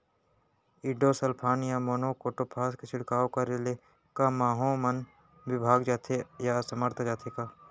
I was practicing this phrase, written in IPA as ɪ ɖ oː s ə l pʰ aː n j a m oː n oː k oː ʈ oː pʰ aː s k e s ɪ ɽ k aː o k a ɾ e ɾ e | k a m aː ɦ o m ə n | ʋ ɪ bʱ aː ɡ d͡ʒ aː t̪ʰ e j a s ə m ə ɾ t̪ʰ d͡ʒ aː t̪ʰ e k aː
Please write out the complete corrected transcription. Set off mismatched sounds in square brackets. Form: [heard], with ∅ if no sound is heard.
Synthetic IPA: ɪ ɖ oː s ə l pʰ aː n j a m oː n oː k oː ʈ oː pʰ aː s k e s ɪ ɽ k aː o k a ɾ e [l] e | k a m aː ɦ o m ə n | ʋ ɪ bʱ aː ɡ d͡ʒ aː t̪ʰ e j a s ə m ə ɾ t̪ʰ d͡ʒ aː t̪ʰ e k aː